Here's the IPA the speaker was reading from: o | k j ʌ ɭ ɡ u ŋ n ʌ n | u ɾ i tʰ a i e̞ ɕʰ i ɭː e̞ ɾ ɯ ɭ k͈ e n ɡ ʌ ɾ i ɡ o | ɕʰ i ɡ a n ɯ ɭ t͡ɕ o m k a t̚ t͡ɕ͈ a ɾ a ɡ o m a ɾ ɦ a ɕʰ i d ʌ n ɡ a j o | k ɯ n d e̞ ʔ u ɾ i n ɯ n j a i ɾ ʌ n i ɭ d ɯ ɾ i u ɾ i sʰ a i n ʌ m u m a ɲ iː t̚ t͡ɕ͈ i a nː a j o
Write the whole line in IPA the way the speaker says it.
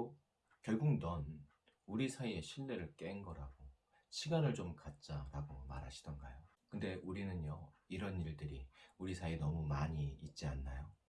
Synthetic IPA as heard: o | k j ʌ ɭ ɡ u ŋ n ʌ n | u ɾ i sʰ a i e̞ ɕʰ i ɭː e̞ ɾ ɯ ɭ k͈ e n ɡ ʌ ɾ a ɡ o | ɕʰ i ɡ a n ɯ ɭ t͡ɕ o m k a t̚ t͡ɕ͈ a ɾ a ɡ o m a ɾ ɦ a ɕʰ i d ʌ n ɡ a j o | k ɯ n d e̞ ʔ u ɾ i n ɯ n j ʌ i ɾ ʌ n i ɭ d ɯ ɾ i u ɾ i sʰ a i n ʌ m u m a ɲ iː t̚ t͡ɕ͈ i a nː a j o